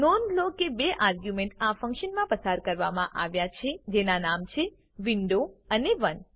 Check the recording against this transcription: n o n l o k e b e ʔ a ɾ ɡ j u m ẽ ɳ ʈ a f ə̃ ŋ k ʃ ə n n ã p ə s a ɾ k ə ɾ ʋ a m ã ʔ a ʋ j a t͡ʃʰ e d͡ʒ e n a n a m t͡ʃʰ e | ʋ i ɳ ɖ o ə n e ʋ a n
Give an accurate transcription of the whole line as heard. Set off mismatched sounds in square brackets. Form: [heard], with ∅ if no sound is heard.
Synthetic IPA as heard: n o n l o k e b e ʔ a ɾ ɡ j u m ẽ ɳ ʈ a f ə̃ ŋ k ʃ ə n [m] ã p ə s a ɾ k ə ɾ ʋ a m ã ʔ a ʋ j a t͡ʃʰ e d͡ʒ e n a n a m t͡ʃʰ e | ʋ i ɳ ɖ o ə n e ʋ [ə] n